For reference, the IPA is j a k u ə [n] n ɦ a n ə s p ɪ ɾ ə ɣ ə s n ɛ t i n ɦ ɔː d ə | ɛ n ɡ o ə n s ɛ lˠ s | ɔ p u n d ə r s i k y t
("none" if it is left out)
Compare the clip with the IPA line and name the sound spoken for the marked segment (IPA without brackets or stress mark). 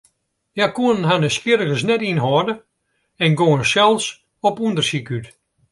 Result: n